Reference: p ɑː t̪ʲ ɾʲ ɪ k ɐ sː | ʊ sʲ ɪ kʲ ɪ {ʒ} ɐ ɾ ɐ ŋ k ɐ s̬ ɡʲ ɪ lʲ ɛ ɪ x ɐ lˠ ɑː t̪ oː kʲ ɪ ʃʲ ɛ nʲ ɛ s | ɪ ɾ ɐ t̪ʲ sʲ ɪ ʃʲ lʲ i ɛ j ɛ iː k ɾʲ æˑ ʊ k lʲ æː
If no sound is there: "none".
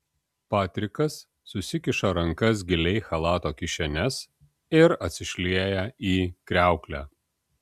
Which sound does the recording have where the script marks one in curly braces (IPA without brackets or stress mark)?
ʃ